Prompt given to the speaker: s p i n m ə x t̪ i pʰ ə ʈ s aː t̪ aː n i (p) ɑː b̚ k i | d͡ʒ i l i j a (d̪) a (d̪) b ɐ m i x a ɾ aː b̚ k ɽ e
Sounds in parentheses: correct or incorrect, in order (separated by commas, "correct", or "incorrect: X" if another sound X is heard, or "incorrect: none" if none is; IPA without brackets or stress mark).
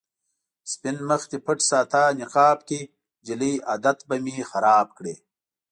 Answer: incorrect: q, correct, incorrect: t̪